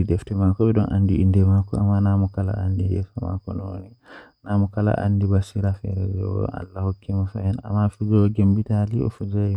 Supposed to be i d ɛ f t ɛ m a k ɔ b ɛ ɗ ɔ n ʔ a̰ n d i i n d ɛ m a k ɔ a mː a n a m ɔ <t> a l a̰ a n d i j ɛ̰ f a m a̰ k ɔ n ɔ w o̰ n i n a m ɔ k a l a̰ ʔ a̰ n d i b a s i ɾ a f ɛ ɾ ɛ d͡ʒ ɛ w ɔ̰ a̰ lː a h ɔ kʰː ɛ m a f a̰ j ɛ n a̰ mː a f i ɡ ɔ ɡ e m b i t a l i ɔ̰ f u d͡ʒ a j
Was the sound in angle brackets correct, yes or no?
no